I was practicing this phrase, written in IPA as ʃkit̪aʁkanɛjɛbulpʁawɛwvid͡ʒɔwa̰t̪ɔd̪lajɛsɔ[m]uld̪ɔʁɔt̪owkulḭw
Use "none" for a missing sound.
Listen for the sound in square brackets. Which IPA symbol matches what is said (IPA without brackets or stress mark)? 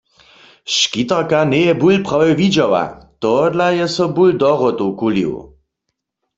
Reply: b